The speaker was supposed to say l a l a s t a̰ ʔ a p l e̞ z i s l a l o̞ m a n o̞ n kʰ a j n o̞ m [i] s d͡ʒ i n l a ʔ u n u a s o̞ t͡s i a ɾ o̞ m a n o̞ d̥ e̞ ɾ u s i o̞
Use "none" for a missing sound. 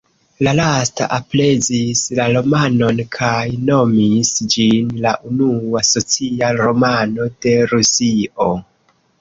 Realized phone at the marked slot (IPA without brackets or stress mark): i